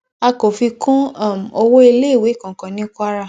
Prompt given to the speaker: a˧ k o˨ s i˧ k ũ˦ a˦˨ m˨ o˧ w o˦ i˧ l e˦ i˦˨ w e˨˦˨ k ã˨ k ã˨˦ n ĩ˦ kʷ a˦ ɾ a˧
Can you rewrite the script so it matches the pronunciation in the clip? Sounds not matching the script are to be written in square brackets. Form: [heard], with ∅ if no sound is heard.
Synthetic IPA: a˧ k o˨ [f] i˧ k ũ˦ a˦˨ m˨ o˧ w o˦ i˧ l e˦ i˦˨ w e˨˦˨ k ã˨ k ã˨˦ n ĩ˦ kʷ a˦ ɾ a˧